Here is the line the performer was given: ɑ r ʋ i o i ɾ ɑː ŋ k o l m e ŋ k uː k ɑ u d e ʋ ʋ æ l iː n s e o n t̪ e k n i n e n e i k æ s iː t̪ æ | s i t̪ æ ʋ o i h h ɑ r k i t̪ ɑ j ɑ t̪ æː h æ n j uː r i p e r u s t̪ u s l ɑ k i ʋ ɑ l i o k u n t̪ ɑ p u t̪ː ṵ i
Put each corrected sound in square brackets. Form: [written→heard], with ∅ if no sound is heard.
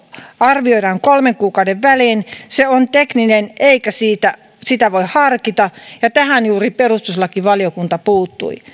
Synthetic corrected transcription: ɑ r ʋ i o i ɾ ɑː ŋ k o l m e ŋ k uː k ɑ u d e ʋ ʋ æ l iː n s e o n t̪ e k n i n e n e i k æ s iː t̪ æ | s i t̪ æ ʋ o i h h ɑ r k i t̪ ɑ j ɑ t̪ [æː→æ] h æ n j uː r i p e r u s t̪ u s l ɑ k i ʋ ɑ l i o k u n t̪ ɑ p [u→uː] t̪ː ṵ i